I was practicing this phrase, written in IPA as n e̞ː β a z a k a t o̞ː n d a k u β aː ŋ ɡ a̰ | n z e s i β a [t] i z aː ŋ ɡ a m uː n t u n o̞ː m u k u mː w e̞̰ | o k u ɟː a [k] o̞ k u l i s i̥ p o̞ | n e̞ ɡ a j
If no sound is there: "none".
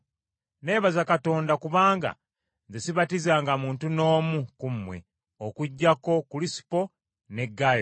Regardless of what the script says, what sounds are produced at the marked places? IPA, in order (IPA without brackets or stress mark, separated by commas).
t, k